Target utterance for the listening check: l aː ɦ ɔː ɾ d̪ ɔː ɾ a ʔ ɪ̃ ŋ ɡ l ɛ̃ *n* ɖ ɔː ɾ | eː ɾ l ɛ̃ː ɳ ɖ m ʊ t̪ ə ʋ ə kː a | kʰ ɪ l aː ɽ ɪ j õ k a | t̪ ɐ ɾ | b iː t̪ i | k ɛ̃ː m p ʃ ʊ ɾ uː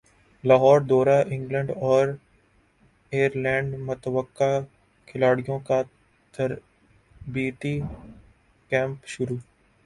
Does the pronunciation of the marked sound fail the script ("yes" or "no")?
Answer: yes